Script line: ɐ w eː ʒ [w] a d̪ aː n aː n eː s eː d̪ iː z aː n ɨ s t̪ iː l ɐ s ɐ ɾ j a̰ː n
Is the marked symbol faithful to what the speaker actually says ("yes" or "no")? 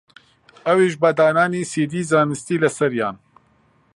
no